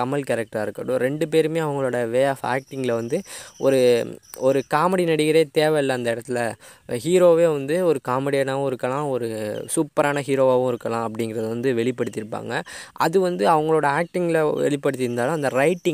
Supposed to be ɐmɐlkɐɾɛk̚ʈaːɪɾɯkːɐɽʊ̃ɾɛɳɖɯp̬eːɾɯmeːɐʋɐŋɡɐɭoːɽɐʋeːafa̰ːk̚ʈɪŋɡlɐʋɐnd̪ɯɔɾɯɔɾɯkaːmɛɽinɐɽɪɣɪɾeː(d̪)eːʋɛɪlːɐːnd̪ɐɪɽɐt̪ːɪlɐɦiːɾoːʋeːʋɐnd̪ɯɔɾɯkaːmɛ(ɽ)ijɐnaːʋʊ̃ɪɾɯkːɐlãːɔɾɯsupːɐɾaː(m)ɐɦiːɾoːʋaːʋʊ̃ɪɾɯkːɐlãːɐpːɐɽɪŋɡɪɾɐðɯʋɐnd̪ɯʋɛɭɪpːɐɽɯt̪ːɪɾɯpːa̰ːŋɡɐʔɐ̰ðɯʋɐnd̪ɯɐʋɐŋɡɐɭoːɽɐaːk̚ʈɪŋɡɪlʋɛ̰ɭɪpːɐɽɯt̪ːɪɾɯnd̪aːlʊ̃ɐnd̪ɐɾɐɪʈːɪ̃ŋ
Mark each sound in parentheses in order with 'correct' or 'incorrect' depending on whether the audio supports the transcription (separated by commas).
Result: incorrect, correct, incorrect